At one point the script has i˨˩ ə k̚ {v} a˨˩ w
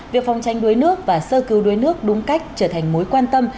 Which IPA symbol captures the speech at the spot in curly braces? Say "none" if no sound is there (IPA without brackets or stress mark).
f